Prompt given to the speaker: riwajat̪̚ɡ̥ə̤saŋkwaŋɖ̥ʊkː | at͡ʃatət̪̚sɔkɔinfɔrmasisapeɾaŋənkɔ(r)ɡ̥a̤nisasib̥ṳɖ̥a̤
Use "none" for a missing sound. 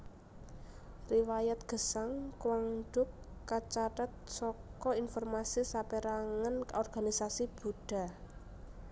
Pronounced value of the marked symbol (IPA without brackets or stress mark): r